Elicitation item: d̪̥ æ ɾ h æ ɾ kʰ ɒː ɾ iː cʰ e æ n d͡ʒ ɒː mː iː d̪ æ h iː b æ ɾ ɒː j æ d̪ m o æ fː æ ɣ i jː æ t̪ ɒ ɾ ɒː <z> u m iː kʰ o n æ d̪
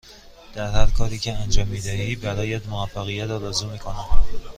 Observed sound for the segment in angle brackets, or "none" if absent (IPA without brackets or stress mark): z